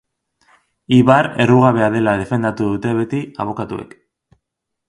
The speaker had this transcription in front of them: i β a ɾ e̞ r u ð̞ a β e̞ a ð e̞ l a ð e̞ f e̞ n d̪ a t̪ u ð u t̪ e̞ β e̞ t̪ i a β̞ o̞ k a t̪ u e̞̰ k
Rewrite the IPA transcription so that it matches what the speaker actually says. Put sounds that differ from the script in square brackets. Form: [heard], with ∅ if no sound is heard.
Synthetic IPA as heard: i β a ɾ e̞ r u [ɣ̞] a β e̞ a ð e̞ l a ð e̞ f e̞ n d̪ a t̪ u ð u t̪ e̞ β e̞ t̪ i a β̞ o̞ k a t̪ u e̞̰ k